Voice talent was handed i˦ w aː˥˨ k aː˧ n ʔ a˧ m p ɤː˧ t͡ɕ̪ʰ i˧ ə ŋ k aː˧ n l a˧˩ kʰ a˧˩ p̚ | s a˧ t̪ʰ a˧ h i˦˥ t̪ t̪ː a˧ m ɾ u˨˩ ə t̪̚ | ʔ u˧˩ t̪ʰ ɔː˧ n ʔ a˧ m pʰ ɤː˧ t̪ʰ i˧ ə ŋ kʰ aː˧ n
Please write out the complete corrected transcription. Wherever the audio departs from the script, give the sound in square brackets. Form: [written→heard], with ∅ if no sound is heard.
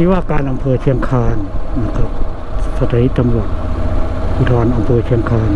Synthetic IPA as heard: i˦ w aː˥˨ k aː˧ n ʔ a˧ m [p→pʰ] ɤː˧ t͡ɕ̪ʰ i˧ ə ŋ [k→kʰ] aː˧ n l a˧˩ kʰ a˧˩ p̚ | s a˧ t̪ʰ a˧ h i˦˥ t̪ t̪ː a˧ m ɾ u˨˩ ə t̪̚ | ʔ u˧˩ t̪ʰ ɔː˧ n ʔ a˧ m pʰ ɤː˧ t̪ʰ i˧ ə ŋ kʰ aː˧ n